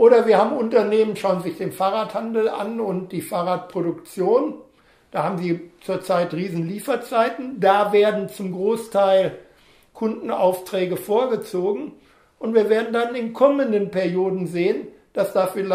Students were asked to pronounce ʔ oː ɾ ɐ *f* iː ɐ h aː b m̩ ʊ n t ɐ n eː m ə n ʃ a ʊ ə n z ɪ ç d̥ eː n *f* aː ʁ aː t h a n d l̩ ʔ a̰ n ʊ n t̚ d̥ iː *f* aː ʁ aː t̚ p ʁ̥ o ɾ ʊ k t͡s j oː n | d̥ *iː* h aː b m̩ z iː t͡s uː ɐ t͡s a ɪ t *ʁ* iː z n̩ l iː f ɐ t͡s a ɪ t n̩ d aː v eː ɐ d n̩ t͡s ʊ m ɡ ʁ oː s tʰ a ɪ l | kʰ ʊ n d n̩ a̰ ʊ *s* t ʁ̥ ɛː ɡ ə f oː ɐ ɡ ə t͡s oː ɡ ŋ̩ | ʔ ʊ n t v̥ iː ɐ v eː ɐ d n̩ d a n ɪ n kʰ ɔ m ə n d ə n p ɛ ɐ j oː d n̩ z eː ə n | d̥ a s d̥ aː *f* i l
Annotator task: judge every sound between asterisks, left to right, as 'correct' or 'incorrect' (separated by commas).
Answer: incorrect, correct, correct, incorrect, correct, incorrect, correct